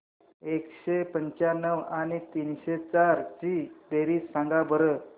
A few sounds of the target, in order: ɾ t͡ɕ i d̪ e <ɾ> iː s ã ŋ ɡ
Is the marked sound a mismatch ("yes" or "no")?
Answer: no